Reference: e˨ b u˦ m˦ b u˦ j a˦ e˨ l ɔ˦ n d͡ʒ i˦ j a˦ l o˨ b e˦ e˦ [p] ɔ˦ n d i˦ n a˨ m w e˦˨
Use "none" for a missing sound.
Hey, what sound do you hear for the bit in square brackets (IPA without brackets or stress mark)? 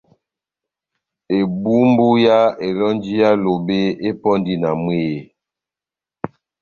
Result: p